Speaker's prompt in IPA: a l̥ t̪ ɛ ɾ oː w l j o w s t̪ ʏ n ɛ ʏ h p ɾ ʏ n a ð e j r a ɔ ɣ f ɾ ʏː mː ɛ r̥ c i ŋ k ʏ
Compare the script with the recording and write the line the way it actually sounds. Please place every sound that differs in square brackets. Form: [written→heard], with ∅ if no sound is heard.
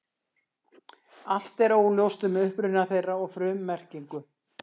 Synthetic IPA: a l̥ t̪ ɛ ɾ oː w l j o w s t̪ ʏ [n→m] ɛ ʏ h p ɾ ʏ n a [ð→θ] e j r a ɔ ɣ f ɾ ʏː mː ɛ r̥ c i ŋ k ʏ